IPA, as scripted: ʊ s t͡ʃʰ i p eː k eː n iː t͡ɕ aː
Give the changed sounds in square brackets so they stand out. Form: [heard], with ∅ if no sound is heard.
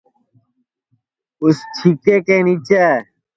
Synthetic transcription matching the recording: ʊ s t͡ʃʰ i [k] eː k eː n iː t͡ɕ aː